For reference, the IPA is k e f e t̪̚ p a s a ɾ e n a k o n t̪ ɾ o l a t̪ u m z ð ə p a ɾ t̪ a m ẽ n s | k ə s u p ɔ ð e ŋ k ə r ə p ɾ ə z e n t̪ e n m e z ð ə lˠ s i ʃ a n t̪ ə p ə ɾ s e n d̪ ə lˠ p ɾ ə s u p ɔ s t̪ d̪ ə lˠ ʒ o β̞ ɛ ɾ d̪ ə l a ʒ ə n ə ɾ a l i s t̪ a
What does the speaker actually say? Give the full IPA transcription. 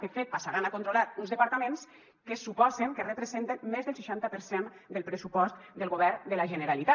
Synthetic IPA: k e f e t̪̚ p a s a ɾ a n a k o n t̪ ɾ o l a t̪ u n z ð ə p a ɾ t̪ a m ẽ n s | k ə s u p ɔ z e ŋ k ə r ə p ɾ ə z e n t̪ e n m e z ð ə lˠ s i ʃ a n t̪ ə p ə ɾ s e n d̪ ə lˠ p ɾ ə s u p ɔ s t̪ d̪ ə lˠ ɣ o β̞ ɛ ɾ d̪ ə l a ʒ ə n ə ɾ a l i t̪ a